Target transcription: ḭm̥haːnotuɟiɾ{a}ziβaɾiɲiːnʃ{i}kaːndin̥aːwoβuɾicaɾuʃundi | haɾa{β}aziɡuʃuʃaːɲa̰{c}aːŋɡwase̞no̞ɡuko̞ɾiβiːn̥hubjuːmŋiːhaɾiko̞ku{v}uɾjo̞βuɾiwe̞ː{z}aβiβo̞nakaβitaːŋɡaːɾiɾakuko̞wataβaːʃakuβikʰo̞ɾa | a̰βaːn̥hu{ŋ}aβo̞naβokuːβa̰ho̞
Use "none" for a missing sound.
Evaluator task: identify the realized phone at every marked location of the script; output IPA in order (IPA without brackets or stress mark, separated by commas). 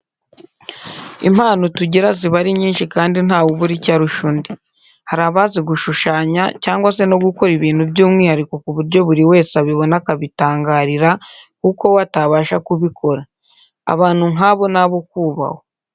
a, i, β, c, β, s, ŋ